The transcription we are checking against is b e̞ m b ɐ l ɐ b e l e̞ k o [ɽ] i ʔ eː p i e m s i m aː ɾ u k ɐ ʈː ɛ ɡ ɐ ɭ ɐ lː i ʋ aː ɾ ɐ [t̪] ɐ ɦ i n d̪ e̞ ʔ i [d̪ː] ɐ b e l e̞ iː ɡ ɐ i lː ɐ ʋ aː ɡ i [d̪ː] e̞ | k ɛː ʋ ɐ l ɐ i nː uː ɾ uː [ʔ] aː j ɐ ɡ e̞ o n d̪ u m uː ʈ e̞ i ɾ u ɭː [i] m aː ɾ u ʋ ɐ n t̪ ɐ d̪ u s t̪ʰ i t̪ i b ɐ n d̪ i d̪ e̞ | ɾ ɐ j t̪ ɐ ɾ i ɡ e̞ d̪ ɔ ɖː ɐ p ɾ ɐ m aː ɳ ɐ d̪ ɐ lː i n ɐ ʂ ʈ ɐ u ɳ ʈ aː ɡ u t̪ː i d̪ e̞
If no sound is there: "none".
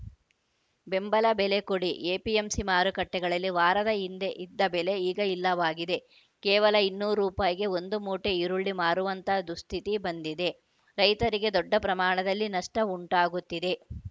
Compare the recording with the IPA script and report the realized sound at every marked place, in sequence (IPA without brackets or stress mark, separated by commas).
ɽ, d̪, d̪ː, d̪, p, i